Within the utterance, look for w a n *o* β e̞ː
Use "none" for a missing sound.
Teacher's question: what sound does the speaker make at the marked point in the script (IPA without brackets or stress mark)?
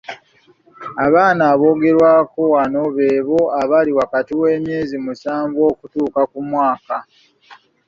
o